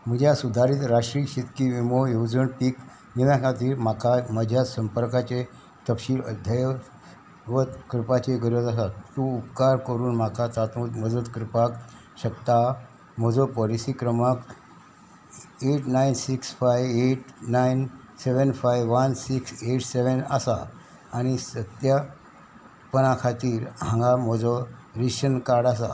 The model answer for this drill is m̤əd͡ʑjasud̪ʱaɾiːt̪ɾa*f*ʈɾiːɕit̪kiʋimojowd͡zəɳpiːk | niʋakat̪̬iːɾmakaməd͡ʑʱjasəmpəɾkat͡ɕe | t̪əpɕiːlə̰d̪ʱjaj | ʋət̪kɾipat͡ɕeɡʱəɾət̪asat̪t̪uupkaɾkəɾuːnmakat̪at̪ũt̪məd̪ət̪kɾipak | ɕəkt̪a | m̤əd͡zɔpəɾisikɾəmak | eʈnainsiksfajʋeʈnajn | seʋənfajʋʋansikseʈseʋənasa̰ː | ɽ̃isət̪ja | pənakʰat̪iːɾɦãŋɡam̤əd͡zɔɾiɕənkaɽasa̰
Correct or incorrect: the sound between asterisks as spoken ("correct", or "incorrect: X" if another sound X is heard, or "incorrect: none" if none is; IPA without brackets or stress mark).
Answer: incorrect: ʂ